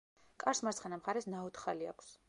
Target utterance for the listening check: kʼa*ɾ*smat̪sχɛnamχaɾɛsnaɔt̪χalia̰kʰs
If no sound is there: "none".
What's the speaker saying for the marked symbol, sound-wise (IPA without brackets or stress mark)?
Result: ɾ